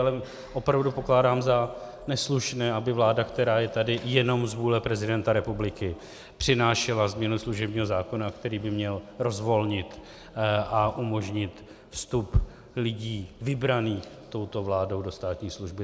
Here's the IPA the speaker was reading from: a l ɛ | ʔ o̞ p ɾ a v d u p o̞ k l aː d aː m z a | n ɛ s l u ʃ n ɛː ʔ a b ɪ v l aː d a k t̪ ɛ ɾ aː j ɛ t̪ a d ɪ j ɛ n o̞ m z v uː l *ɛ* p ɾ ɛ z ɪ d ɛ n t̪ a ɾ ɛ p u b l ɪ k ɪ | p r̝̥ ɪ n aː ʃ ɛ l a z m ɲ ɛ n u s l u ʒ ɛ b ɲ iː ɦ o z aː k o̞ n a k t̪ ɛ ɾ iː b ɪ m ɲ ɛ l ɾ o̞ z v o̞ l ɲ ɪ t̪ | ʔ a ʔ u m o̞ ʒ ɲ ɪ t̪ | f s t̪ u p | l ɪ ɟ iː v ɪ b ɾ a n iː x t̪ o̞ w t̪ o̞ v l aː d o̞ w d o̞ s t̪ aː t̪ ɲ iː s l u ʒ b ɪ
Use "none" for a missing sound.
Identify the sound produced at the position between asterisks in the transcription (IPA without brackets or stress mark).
ɛ